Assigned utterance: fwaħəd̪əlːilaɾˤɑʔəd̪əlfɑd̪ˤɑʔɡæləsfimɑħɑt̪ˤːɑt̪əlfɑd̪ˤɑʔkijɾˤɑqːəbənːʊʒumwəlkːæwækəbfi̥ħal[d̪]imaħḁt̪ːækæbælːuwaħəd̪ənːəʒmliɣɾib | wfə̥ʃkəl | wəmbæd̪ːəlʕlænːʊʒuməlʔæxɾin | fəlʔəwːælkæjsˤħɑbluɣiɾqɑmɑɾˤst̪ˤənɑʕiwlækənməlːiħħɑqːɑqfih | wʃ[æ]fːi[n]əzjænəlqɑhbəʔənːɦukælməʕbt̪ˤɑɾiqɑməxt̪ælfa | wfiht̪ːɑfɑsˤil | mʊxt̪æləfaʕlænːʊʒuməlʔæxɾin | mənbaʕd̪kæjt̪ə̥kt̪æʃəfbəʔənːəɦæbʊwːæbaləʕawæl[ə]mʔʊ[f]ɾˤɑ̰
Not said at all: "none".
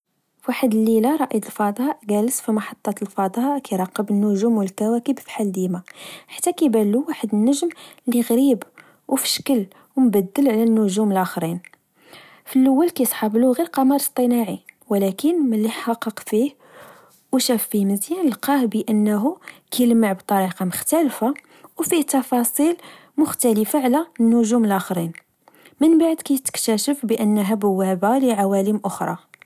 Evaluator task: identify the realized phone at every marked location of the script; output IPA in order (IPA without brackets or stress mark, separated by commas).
d̪, æ, m, ə, x